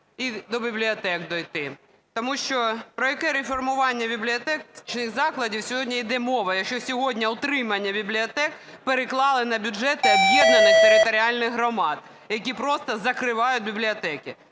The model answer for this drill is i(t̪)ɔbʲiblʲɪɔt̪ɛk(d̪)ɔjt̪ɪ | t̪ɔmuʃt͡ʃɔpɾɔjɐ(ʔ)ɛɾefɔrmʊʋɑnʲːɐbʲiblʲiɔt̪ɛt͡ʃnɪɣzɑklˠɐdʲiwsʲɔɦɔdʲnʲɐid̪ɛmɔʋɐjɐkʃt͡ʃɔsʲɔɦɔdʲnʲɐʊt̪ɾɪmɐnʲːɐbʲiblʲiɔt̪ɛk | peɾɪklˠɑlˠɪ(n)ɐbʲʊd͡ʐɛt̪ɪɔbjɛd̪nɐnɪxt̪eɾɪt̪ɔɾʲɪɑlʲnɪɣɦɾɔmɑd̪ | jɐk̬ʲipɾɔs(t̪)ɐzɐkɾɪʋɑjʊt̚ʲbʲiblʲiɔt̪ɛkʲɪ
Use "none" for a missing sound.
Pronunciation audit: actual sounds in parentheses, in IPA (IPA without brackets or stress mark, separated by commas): d̪, d̪, k, n, t̪